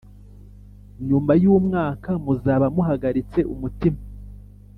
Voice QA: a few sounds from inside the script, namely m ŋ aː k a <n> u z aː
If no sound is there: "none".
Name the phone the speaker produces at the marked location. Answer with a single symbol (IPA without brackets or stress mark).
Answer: m